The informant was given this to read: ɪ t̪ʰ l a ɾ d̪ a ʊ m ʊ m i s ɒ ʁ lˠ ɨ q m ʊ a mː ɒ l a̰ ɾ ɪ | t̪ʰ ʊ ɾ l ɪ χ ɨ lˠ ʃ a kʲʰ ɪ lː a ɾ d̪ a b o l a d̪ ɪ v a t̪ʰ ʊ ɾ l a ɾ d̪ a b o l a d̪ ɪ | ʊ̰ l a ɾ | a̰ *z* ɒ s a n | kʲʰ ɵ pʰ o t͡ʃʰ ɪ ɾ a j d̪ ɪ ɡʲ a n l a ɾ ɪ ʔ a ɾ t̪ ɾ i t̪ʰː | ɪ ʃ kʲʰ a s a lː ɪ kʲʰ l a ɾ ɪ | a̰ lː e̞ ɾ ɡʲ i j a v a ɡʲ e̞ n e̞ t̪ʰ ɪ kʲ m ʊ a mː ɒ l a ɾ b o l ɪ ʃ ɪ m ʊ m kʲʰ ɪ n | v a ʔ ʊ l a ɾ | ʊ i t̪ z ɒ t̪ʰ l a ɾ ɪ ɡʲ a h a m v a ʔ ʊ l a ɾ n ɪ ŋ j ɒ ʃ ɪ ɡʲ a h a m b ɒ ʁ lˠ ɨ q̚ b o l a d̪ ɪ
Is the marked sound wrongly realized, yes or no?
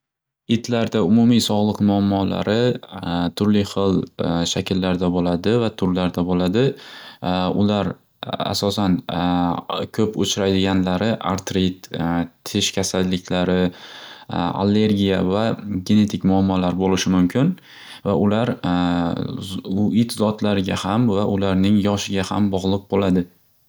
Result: yes